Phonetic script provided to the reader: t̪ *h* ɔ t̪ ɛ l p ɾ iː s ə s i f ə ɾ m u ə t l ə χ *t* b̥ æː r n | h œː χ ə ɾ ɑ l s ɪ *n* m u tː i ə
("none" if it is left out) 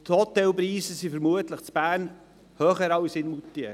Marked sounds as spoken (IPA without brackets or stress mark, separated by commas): h, t͡s, n